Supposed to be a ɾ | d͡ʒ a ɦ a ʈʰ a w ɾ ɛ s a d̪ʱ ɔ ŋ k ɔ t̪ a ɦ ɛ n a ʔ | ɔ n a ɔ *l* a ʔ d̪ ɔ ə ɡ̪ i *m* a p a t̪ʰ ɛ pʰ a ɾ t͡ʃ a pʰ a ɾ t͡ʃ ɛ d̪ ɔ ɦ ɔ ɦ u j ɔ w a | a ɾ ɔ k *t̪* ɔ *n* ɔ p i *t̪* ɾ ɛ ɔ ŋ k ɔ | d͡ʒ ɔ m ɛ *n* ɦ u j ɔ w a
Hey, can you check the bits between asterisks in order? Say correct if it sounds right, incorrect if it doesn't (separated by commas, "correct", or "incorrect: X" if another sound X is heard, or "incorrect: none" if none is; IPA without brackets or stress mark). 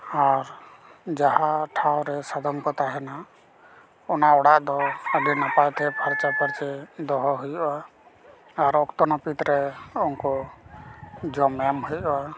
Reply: incorrect: ɽ, incorrect: n, correct, correct, correct, incorrect: m